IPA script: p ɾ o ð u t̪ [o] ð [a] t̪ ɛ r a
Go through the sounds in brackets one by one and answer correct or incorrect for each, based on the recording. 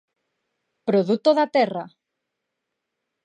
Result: correct, correct

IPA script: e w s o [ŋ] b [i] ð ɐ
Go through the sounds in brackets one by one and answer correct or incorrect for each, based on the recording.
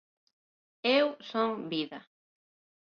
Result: correct, correct

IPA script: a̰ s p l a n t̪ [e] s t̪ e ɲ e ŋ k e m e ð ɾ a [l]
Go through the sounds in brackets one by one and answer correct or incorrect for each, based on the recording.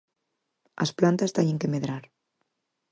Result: incorrect: a, incorrect: ɾ

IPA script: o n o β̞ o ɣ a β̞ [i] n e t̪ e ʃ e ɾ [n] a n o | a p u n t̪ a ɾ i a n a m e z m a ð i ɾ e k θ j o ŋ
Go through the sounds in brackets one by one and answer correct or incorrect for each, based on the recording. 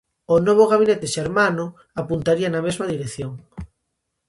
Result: correct, incorrect: m

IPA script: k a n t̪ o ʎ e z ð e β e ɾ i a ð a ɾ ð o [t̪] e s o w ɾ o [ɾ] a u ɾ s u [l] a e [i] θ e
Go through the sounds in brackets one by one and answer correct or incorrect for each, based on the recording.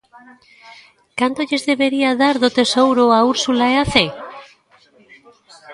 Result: correct, incorrect: none, correct, incorrect: a

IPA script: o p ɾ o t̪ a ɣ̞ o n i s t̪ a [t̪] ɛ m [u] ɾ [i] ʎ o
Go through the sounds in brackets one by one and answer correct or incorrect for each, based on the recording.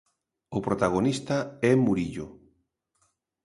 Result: incorrect: none, correct, correct

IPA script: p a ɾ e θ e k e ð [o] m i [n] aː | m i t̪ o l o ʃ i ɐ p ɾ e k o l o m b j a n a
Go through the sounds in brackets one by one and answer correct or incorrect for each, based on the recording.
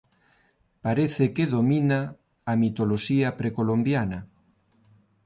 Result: correct, correct

